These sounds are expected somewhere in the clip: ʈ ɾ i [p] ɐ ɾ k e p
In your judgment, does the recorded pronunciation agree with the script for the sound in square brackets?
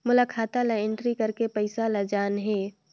no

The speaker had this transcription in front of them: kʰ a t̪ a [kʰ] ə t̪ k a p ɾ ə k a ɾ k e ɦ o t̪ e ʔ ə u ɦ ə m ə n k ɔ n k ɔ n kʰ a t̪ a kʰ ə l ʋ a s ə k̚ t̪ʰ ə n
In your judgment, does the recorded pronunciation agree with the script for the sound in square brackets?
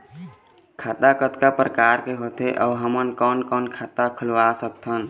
no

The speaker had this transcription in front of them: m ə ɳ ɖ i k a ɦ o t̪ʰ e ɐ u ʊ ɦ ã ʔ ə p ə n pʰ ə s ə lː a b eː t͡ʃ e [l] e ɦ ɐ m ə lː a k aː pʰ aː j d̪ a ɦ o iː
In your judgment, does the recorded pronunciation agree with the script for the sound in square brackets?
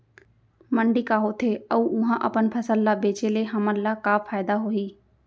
yes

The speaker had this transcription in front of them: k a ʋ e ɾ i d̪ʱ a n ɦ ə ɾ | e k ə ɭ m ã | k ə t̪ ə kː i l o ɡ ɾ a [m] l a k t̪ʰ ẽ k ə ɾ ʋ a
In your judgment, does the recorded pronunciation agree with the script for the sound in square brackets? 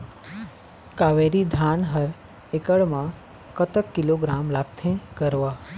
yes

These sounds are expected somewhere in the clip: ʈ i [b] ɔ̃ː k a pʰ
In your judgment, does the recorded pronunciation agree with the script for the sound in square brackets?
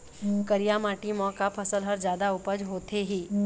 no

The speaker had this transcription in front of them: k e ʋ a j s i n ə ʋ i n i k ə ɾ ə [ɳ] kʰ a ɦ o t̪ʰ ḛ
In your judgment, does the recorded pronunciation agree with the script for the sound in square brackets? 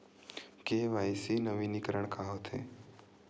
yes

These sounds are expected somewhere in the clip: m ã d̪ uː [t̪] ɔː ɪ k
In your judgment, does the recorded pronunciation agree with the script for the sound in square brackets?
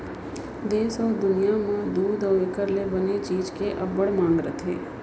no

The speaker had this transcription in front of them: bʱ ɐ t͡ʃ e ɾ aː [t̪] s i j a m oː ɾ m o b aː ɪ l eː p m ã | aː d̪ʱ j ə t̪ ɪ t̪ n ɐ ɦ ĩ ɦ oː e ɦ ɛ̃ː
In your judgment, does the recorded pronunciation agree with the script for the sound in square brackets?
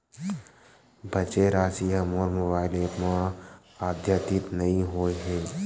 no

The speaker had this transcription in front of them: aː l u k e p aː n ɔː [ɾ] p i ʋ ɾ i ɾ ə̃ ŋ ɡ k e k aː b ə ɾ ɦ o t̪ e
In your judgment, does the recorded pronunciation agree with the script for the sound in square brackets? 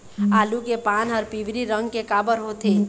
yes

